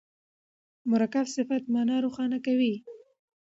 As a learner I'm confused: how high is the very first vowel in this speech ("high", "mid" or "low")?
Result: high